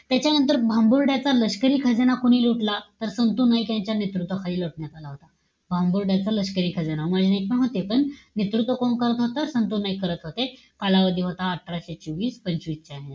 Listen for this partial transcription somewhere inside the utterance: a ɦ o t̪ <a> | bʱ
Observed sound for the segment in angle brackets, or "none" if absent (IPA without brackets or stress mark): a